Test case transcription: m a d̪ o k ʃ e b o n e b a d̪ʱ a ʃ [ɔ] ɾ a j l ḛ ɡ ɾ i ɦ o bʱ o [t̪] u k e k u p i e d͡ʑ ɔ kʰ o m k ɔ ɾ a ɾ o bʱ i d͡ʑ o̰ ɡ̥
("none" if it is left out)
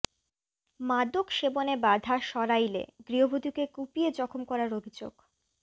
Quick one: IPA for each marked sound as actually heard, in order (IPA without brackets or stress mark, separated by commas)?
ɔ, d̪